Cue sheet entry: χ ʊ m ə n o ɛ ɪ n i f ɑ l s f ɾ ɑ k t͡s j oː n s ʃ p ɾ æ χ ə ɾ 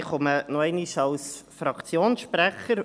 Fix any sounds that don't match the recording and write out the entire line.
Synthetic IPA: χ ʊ m ə n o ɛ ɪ n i ʃ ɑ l s f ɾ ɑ k t͡s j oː n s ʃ p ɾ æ χ ə ɾ